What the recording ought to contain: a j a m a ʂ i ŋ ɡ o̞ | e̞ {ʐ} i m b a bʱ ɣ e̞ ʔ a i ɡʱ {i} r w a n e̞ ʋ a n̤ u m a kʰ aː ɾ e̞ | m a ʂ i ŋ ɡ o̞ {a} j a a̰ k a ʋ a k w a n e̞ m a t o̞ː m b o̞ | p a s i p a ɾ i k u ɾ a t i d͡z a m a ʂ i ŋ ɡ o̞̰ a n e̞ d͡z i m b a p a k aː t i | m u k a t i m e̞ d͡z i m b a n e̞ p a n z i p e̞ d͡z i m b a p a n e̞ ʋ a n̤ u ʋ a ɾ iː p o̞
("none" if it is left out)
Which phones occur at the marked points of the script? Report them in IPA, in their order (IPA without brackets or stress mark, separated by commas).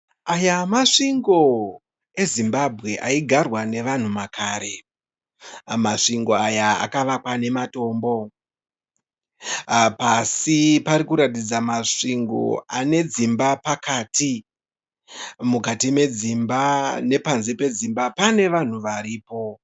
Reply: z, a, a